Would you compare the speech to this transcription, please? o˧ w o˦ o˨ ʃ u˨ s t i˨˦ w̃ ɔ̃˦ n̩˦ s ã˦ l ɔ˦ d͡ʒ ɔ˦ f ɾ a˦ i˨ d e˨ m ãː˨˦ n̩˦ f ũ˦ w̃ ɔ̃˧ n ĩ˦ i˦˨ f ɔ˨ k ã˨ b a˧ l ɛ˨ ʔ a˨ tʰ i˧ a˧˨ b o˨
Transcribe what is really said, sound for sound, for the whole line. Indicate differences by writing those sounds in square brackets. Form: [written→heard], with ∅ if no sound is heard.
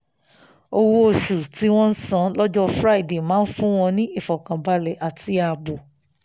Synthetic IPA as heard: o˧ w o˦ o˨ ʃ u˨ [s→∅] t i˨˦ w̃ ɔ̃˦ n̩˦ s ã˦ l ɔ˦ d͡ʒ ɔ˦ f ɾ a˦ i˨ d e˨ m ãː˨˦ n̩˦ f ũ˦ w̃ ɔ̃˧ n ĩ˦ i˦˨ f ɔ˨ k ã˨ b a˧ l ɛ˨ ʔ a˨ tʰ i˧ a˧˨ b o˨

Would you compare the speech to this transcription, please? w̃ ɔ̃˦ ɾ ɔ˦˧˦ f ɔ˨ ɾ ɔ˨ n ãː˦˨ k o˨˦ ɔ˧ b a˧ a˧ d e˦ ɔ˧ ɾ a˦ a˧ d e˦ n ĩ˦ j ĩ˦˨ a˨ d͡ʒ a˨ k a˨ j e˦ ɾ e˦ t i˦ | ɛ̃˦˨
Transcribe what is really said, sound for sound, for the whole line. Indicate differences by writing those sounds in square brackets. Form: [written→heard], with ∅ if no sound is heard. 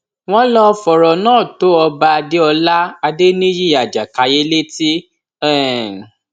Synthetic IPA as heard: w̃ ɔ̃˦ [ɾ→l] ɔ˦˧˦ f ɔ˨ ɾ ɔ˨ n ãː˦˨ [k→t] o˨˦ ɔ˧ b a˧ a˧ d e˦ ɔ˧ [ɾ→l] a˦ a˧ d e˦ n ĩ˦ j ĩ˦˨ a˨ d͡ʒ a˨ k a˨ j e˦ [ɾ→l] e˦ t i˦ | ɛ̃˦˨

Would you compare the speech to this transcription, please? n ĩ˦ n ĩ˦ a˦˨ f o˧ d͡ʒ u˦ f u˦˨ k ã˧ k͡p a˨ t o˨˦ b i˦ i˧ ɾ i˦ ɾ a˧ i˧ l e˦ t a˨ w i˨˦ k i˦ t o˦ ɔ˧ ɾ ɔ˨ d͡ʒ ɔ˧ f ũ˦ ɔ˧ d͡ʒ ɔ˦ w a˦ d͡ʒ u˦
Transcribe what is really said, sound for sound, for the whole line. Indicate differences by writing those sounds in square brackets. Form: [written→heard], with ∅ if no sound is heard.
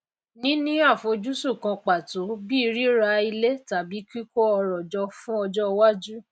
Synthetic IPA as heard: n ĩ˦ n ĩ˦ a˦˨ f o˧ d͡ʒ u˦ [f→s] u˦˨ k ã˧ k͡p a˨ t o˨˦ b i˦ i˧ ɾ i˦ ɾ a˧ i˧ l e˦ t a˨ [w→b] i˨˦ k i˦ [t→k] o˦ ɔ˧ ɾ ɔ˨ d͡ʒ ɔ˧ f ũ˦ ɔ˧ d͡ʒ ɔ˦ w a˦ d͡ʒ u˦

